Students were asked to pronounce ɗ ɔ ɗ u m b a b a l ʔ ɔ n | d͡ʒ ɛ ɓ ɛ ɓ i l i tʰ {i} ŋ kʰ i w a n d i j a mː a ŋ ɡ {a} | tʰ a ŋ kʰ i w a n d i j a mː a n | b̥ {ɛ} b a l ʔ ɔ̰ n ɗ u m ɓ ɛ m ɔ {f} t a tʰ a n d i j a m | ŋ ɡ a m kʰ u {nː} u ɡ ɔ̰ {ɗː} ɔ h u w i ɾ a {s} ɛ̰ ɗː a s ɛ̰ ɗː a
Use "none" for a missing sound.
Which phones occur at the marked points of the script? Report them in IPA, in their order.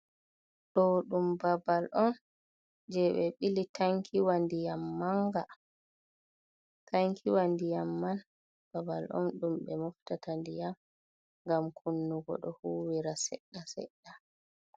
a, a, a, f, nː, ɗ, s

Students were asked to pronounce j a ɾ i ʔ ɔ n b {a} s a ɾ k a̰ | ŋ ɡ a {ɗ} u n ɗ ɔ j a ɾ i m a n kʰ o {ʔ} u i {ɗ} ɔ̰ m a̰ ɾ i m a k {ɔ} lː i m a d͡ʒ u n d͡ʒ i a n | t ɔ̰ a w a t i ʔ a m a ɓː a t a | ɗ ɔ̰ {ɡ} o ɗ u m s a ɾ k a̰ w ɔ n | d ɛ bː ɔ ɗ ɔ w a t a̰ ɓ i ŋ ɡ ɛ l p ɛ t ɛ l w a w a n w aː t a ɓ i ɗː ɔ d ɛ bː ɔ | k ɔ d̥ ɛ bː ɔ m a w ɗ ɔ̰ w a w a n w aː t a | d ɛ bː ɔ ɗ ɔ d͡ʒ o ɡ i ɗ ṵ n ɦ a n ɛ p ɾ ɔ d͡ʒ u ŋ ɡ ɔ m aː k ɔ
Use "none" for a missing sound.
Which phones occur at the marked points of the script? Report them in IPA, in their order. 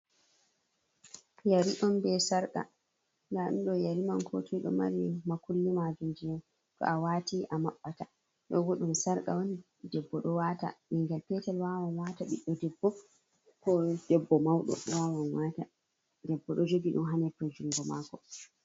ɛ, ɗ, t, ɗ, u, ɡ

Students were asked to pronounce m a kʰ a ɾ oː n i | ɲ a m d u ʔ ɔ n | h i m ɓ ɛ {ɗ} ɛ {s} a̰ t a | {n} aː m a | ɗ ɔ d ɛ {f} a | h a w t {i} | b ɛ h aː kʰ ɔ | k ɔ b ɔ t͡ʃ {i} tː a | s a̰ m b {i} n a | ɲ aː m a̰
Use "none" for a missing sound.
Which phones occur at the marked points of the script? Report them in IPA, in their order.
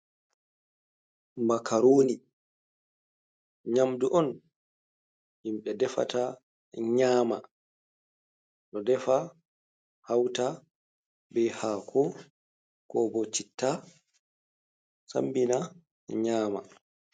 d, f, ɲ, f, a, i, i

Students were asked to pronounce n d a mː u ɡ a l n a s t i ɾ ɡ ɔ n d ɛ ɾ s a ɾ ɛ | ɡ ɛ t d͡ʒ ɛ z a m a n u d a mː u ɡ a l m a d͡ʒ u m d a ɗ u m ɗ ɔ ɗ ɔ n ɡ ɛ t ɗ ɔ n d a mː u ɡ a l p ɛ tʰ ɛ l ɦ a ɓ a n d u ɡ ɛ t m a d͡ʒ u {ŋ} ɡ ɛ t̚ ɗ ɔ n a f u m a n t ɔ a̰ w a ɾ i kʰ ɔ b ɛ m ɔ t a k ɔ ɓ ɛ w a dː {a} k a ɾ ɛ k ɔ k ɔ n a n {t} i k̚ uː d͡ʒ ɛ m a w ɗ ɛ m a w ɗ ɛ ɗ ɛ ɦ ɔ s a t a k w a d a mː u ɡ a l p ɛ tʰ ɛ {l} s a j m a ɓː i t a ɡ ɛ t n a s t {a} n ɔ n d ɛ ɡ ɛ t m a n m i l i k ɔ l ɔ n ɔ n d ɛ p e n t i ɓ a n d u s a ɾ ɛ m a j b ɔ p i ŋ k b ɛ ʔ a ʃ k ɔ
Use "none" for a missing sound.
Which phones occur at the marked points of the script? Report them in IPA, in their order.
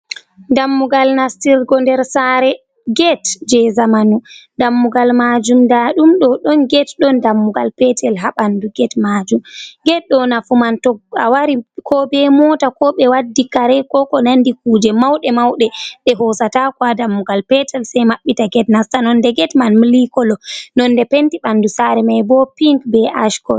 m, i, d, l, a

